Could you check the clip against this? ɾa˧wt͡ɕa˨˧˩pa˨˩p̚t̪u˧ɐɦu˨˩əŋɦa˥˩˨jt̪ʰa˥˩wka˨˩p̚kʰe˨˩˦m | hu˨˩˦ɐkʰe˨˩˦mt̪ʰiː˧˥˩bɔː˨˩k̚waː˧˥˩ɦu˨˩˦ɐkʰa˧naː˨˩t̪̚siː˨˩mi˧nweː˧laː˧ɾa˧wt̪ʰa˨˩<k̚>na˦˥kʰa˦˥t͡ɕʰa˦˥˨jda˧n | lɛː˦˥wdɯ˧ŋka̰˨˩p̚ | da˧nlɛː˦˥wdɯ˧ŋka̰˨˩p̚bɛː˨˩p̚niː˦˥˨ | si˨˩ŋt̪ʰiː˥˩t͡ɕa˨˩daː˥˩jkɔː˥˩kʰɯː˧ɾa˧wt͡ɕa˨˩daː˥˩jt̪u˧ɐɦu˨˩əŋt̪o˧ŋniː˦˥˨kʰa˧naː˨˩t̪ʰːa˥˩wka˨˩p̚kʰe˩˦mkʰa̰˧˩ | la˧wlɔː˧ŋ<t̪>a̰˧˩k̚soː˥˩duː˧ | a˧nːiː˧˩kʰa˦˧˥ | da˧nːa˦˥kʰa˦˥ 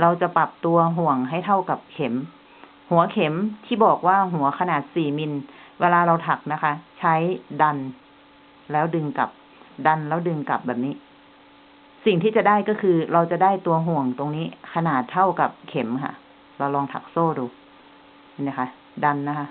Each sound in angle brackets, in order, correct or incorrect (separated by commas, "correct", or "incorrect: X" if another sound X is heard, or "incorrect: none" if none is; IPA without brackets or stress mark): correct, incorrect: t̪ʰ